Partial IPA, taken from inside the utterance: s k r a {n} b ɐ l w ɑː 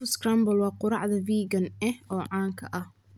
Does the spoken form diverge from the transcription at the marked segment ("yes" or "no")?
yes